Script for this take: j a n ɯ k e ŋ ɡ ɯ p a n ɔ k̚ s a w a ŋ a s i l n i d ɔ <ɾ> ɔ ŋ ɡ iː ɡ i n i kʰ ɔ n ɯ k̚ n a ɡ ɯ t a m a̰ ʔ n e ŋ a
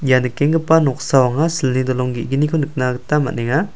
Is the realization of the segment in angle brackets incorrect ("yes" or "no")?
yes